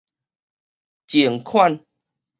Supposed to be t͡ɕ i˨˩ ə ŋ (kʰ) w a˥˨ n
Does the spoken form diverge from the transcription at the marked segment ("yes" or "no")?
no